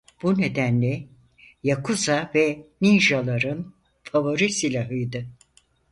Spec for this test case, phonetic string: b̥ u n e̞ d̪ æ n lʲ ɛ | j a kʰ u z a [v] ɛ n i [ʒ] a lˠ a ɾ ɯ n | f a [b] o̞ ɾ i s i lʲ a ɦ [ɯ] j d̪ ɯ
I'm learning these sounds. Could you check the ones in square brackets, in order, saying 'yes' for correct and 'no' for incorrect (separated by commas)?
yes, yes, no, yes